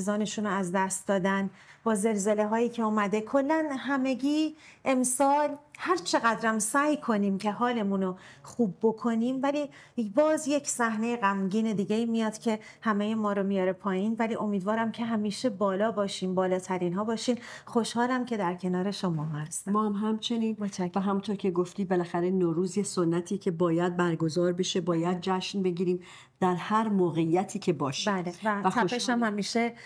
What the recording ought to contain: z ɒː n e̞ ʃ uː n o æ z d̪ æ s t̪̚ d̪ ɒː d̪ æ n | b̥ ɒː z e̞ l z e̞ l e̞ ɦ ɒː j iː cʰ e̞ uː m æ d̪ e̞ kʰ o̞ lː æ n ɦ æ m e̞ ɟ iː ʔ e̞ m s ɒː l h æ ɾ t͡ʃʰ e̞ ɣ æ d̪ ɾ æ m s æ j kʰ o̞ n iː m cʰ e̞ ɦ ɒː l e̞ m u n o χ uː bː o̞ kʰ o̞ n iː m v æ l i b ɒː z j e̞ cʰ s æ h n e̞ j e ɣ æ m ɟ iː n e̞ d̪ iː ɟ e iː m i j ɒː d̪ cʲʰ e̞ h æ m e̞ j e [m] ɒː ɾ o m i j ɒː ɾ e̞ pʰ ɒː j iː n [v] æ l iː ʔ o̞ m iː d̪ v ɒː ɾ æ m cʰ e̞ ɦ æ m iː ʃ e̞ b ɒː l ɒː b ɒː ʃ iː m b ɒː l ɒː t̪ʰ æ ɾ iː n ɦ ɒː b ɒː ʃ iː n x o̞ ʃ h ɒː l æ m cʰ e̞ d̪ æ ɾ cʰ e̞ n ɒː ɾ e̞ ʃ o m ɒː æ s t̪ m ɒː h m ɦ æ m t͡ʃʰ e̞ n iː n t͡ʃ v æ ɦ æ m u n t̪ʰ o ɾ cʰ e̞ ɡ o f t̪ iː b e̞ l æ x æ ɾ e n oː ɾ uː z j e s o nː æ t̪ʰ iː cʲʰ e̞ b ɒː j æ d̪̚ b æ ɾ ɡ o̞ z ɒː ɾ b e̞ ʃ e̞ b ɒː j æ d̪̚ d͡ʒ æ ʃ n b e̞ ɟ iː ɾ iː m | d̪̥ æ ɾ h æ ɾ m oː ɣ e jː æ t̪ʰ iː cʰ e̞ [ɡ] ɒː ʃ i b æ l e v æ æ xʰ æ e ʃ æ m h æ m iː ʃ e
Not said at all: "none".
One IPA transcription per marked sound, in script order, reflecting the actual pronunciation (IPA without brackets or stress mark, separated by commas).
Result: m, v, b